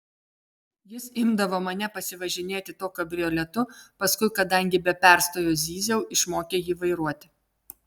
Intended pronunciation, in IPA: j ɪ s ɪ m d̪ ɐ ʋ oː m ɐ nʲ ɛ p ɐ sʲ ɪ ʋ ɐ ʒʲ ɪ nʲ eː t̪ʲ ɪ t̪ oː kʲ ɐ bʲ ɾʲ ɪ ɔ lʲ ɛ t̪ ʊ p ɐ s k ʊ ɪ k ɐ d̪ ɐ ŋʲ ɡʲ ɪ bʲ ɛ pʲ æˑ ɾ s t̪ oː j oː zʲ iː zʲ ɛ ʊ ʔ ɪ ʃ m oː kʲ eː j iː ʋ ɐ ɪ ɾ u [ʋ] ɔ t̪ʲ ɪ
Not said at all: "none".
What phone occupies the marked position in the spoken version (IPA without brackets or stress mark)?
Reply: none